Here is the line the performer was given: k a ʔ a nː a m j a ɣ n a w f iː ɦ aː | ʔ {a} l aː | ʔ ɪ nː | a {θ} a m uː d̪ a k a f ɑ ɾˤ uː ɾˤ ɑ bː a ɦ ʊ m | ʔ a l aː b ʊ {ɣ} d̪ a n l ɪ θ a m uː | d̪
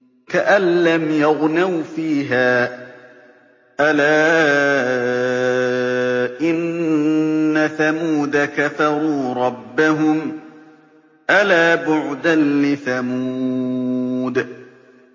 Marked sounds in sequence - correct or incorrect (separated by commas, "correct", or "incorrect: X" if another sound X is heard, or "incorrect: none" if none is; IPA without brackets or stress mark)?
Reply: correct, correct, incorrect: ʕ